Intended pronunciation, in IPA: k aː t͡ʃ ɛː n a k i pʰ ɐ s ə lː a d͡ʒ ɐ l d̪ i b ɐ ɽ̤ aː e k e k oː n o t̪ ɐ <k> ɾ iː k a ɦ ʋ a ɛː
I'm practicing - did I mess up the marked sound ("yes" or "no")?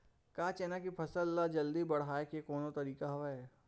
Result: yes